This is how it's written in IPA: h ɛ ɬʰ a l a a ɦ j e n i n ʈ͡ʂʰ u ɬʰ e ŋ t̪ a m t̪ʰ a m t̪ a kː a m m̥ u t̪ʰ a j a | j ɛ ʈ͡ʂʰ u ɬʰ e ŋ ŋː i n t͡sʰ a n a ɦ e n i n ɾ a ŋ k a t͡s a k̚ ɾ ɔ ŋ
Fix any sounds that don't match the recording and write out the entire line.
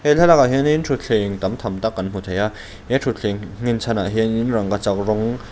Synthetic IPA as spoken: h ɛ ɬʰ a l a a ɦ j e n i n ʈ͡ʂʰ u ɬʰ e ŋ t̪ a m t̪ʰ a m t̪ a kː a n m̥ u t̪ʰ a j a | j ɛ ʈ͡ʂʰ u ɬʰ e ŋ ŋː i n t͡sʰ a n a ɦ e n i n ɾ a ŋ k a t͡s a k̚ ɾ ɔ ŋ